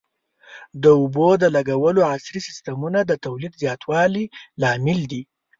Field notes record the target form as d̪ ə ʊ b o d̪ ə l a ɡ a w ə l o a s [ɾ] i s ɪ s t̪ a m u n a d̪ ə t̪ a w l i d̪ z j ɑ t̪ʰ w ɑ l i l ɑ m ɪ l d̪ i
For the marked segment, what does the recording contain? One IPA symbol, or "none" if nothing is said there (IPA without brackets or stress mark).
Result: ɾ